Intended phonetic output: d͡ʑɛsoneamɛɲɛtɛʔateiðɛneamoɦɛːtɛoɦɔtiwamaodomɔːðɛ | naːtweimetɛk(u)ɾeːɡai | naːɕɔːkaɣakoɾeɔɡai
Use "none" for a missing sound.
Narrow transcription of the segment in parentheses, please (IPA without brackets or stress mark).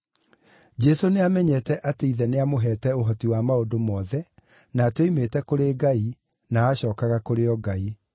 o